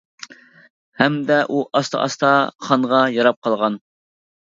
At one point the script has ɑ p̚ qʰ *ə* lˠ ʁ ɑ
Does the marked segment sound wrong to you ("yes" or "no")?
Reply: yes